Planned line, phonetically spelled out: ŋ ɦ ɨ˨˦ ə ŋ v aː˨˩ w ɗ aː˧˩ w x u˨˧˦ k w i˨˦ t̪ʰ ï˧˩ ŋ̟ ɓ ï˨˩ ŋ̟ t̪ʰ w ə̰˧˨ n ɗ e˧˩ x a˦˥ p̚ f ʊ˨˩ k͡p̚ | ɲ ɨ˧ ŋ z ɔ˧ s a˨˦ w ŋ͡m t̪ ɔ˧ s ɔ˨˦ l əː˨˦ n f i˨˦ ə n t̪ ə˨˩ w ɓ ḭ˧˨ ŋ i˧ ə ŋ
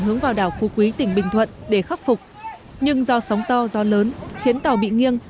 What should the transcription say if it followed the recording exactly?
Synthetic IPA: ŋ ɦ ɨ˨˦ ə ŋ v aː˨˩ w ɗ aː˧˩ w x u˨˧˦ k w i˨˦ t̪ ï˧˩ ŋ̟ ɓ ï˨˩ ŋ̟ t̪ʰ w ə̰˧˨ n ɗ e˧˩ x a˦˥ p̚ f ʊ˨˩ k͡p̚ | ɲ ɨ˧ ŋ z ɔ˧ s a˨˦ w ŋ͡m t̪ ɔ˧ z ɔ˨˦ l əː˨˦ n x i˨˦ ə n t̪ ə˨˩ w ɓ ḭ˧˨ ŋ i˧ ə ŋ